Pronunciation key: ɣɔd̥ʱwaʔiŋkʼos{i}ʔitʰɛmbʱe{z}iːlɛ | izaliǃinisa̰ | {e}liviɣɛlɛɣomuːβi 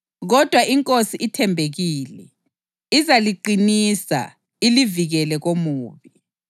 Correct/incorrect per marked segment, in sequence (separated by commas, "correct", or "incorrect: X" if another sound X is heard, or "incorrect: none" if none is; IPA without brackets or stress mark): correct, incorrect: ɣ, incorrect: i